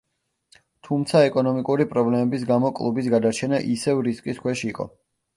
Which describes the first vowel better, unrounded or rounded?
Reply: rounded